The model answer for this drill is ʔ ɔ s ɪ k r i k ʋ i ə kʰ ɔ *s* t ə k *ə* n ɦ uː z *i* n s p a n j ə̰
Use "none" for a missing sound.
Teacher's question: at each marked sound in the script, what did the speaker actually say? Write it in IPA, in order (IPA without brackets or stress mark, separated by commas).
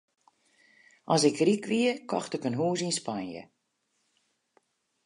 x, ə, i